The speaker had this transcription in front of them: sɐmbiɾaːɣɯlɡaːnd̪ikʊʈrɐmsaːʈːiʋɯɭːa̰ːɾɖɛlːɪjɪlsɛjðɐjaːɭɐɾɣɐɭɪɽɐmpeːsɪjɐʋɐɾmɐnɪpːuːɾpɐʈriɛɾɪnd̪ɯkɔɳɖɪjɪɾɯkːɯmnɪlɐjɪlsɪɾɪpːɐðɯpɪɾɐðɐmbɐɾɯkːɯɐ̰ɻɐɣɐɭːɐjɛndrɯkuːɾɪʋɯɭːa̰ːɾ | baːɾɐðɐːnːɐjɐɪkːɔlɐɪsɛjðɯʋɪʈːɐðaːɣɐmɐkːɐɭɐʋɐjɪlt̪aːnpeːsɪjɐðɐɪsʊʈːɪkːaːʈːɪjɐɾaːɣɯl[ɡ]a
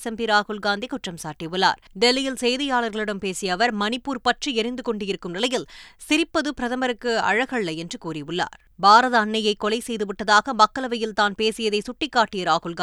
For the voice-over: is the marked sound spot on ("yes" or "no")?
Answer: yes